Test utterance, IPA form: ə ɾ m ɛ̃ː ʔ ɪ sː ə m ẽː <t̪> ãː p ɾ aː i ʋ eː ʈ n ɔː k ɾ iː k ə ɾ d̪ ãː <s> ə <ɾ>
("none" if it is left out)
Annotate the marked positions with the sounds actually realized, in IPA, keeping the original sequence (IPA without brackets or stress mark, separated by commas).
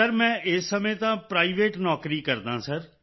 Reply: t̪, s, ɾ